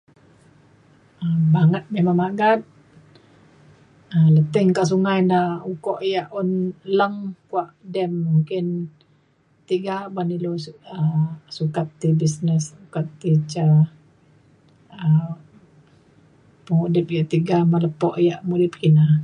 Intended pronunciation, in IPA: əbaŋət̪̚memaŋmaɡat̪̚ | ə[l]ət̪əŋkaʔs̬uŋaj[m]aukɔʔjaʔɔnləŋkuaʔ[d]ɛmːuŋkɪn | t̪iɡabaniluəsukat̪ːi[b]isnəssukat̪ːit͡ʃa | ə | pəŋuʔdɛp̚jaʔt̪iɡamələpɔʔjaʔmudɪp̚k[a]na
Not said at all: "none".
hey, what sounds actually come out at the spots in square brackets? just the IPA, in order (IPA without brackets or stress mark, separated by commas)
l, n, d, b, i